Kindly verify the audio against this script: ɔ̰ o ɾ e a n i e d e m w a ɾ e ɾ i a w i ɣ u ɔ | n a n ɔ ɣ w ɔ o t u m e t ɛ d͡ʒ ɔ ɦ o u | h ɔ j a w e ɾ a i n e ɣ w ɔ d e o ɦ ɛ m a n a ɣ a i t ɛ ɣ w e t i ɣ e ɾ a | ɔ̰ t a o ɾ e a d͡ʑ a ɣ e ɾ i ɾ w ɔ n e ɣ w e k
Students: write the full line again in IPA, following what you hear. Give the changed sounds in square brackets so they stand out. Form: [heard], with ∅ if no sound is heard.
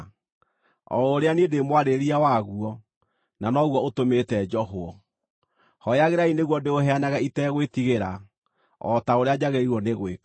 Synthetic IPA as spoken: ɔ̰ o ɾ e a n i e d e m w a ɾ e ɾ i a w [a] ɣ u ɔ | n a n ɔ ɣ w ɔ o t [o] m e t ɛ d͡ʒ ɔ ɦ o [ɔ] | h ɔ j a [ɣ] e ɾ a i n e ɣ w ɔ d e o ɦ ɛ [∅] a n a ɣ a i t ɛ ɣ w e t i ɣ e ɾ a | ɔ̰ t a o ɾ e a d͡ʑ a ɣ e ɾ i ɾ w ɔ n e ɣ w e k